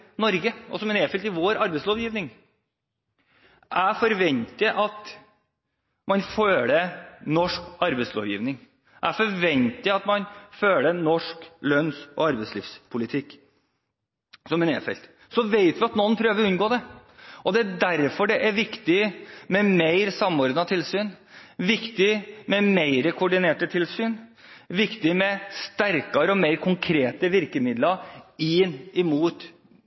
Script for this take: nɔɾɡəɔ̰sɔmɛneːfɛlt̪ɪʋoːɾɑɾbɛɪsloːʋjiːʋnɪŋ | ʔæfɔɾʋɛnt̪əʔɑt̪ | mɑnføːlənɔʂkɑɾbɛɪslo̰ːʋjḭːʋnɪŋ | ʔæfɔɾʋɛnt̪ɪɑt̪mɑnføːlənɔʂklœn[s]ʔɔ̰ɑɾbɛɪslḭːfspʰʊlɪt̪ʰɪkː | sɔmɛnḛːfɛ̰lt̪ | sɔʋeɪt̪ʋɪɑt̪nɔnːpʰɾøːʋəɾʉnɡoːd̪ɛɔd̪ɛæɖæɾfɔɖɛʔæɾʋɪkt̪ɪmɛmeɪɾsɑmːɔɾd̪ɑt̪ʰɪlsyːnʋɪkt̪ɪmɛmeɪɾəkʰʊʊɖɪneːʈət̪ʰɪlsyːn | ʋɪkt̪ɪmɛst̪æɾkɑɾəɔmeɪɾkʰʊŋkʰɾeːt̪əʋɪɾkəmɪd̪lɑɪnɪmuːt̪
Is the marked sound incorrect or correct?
correct